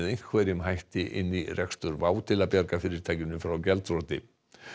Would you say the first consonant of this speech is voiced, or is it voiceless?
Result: voiced